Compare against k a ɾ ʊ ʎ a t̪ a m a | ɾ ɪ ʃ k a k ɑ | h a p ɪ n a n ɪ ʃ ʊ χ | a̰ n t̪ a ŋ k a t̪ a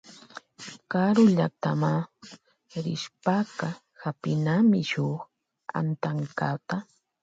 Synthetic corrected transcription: k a ɾ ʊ ʎ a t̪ a m a | ɾ ɪ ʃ p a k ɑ | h a p ɪ n a m ɪ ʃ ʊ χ | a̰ n t̪ a ŋ k a t̪ a